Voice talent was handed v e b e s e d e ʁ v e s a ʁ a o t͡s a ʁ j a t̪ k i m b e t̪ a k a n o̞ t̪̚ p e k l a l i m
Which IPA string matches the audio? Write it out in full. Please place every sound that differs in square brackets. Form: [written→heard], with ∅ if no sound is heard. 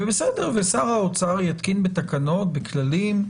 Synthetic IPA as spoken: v e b e s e d e ʁ v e s a ʁ a o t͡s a ʁ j a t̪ k i [m→n] b e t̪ a k a n o̞ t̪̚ [p→b] e k l a l i m